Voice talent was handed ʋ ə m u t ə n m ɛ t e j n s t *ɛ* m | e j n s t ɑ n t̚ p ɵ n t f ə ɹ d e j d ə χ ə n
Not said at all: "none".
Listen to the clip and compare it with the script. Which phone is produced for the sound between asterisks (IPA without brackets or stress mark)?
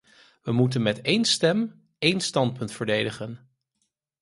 ɛ